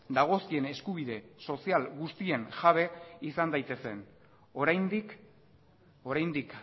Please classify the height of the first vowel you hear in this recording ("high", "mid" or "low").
low